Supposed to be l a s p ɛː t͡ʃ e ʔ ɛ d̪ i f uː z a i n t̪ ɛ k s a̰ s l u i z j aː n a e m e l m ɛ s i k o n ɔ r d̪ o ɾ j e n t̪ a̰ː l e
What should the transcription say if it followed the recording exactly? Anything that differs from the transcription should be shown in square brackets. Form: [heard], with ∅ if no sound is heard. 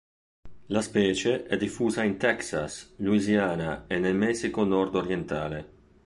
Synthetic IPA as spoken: l a s p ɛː t͡ʃ e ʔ ɛ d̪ i f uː z a i n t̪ ɛ k s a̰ s l u i z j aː n a e [n] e l m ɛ s i k o n ɔ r d̪ o ɾ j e n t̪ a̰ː l e